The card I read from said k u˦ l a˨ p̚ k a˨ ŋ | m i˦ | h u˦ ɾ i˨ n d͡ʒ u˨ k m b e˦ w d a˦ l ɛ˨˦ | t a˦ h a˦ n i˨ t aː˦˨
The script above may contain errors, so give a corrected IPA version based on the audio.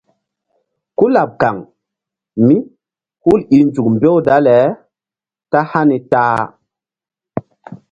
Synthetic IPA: k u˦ l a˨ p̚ k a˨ ŋ | m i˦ | h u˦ l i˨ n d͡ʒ u˨ k m b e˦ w d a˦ l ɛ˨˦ | t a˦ h a˦ n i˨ t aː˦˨